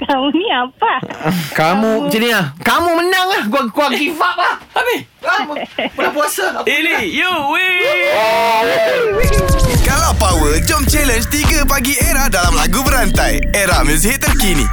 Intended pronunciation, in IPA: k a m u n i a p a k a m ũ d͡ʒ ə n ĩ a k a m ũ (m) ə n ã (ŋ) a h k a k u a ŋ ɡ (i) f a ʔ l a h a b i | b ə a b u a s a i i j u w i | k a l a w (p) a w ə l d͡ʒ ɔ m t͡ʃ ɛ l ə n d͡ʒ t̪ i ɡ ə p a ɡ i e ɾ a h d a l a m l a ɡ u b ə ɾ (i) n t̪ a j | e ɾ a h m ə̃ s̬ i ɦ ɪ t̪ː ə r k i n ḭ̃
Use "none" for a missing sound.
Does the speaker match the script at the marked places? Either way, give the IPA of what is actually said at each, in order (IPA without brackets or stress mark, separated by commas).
m, ŋ, i, p, a